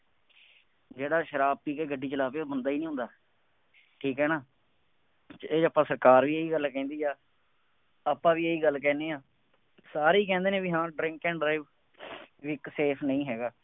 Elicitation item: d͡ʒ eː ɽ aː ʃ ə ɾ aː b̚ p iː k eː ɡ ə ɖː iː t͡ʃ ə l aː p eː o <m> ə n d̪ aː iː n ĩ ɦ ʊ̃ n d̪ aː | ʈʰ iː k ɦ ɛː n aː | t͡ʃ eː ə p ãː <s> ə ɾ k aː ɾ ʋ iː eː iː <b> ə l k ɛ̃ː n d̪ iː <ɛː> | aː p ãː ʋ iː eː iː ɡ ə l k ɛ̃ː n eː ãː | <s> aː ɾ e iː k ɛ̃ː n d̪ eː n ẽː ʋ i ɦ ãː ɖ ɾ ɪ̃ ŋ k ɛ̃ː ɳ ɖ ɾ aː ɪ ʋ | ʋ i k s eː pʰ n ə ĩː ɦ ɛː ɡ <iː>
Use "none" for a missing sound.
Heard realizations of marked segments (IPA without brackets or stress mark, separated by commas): b, s, ɡ, aː, s, aː